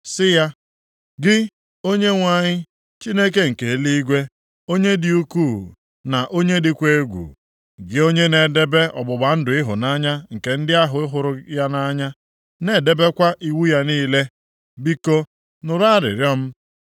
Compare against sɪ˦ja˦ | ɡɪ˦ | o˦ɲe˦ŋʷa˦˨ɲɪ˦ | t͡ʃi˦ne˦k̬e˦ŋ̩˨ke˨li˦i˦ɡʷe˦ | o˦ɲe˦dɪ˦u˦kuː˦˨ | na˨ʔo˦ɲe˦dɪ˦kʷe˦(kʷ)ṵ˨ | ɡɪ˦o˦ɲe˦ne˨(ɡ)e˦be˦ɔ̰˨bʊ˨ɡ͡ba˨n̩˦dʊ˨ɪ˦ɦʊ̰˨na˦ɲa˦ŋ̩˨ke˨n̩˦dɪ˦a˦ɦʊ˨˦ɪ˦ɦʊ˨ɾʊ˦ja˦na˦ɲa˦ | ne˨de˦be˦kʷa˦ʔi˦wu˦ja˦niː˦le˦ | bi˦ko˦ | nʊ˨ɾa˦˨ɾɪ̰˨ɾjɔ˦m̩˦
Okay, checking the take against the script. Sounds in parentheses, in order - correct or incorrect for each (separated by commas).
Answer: incorrect, incorrect